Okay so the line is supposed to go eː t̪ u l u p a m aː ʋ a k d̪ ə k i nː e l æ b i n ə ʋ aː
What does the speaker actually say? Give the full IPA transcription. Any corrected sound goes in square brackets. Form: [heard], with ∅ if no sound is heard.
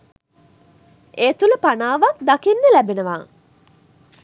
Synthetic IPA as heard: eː t̪ u l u p a [n] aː ʋ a k d̪ [a] k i nː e l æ b [e] n ə ʋ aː